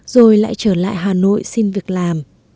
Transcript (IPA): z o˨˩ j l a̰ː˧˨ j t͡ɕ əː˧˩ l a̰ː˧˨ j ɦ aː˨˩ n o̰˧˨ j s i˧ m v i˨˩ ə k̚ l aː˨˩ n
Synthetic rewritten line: z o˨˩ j l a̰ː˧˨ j t͡ɕ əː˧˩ l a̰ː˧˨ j ɦ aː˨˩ n o̰˧˨ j s i˧ n v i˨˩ ə k̚ l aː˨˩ m